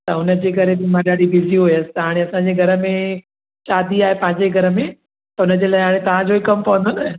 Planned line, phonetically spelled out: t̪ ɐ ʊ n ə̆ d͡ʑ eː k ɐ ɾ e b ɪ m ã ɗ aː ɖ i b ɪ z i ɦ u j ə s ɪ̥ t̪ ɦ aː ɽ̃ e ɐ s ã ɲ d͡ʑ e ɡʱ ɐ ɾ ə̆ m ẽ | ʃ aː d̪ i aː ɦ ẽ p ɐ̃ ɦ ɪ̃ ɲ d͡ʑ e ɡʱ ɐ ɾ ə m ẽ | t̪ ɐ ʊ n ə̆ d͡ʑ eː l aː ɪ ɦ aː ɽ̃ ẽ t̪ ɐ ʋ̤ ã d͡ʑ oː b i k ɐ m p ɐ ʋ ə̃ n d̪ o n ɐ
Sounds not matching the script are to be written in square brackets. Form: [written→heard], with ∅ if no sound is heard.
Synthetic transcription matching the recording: t̪ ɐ ʊ n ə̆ d͡ʑ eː k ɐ ɾ e b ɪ m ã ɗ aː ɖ i b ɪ z i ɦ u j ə s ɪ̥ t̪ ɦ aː ɽ̃ e ɐ s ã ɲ d͡ʑ e ɡʱ ɐ ɾ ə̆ m ẽ | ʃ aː d̪ i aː ɦ [ẽ→e] p ɐ̃ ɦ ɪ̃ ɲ d͡ʑ e ɡʱ ɐ ɾ ə m ẽ | t̪ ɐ ʊ n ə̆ d͡ʑ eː l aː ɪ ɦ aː ɽ̃ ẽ t̪ ɐ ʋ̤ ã d͡ʑ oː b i k ɐ m p ɐ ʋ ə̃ n d̪ o n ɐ